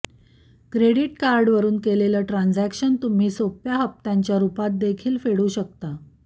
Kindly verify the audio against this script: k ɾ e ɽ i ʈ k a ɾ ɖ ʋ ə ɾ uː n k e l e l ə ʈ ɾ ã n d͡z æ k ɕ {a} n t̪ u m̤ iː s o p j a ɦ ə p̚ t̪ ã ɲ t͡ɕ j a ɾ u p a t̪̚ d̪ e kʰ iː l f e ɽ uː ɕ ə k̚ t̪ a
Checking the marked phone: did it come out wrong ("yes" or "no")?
yes